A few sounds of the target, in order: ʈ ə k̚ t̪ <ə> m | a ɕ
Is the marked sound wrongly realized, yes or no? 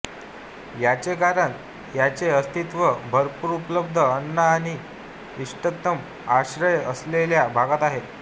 no